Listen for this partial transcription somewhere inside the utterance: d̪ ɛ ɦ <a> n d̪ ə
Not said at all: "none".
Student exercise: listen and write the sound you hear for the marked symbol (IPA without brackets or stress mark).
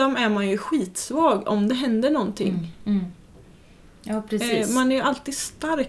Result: ɛ